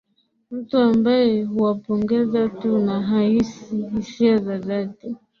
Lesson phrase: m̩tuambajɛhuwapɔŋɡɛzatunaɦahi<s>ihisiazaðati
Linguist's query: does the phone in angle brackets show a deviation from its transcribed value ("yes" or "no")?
no